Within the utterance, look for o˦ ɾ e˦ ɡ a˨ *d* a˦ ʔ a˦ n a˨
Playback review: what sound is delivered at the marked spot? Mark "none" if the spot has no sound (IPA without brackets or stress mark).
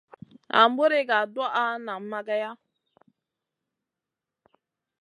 d